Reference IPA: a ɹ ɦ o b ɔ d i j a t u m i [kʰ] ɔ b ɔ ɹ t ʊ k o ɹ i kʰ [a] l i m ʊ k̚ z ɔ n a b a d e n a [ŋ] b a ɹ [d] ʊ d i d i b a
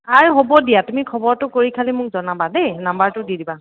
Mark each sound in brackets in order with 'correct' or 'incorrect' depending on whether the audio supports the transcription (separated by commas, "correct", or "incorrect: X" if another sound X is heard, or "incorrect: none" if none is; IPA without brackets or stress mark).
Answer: correct, correct, incorrect: m, incorrect: t